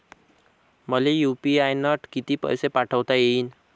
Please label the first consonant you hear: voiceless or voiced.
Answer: voiced